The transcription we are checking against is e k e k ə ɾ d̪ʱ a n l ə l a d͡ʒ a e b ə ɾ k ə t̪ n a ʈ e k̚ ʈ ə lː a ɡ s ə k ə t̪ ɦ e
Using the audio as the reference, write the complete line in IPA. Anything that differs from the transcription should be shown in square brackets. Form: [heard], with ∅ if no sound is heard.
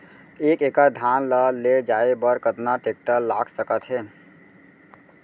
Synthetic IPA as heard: e k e k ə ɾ d̪ʱ a n l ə l [e] d͡ʒ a e b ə ɾ k ə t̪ n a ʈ e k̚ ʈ ə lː a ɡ s ə k ə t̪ ɦ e